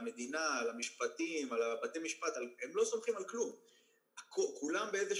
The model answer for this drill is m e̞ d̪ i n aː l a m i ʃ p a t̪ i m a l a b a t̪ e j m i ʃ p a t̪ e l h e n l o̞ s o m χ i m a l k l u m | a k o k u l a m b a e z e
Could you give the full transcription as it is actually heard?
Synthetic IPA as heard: m e̞ d̪ i n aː l a m i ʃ p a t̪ i m a l a b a t̪ e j m i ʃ p a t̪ a l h e m l o̞ s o m χ i m a l k l u m | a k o k u l a m b e e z e